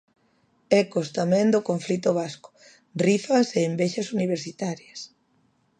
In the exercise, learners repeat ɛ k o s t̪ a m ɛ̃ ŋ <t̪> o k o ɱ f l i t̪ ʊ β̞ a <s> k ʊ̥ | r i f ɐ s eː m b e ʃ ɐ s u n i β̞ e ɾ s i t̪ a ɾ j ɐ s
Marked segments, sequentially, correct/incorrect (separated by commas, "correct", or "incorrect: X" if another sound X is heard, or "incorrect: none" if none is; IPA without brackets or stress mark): incorrect: d̪, correct